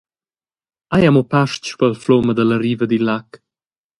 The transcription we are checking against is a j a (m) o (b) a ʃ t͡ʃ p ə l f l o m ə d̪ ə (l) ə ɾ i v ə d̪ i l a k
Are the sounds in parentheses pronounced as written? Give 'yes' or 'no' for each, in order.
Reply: yes, no, yes

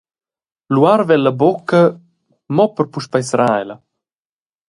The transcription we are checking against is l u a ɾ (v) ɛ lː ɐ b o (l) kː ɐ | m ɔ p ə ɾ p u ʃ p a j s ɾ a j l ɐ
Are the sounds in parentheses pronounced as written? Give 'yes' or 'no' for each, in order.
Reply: yes, no

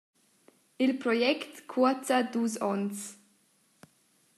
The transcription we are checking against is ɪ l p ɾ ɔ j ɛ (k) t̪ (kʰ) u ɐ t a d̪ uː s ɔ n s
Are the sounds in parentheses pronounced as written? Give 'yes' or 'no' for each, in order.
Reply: yes, yes

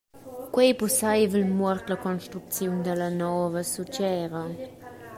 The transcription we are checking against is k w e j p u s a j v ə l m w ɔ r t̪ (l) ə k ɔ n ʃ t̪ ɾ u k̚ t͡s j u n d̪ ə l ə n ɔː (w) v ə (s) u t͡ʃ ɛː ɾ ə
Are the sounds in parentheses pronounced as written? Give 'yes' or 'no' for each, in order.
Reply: yes, no, yes

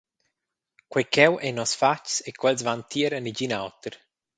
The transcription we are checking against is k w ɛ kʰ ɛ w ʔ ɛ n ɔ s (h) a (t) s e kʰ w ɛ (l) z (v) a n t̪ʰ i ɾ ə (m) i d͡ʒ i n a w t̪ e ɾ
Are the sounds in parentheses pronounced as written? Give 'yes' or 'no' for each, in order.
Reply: no, no, yes, yes, no

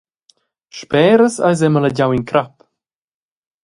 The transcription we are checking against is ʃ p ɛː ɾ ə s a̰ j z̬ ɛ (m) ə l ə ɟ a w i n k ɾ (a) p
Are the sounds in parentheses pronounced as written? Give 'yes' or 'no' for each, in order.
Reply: yes, yes

